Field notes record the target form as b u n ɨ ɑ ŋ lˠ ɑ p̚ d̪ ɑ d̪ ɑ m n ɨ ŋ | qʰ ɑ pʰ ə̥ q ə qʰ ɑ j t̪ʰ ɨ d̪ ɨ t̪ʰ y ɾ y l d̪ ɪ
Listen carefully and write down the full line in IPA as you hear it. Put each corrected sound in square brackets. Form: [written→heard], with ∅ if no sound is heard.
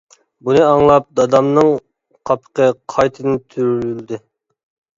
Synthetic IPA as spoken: b u n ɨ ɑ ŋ lˠ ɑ p̚ d̪ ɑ d̪ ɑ m n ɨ ŋ | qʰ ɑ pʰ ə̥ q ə qʰ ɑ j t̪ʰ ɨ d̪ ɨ t̪ʰ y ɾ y l d̪ ɪ